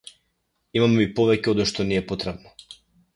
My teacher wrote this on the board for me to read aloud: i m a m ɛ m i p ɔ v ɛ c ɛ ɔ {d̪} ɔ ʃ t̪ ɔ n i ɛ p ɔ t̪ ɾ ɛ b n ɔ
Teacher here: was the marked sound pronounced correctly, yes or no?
yes